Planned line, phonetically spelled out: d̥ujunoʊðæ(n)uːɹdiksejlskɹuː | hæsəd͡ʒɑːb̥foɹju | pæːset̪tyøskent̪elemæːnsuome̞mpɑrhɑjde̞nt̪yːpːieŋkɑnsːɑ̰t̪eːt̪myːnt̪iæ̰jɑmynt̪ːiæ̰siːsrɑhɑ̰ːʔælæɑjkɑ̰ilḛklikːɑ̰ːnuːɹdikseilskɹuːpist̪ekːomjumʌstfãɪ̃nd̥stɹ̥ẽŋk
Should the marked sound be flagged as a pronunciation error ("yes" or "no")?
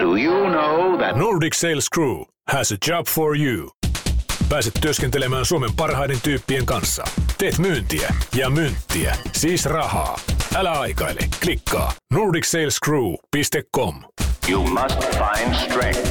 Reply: no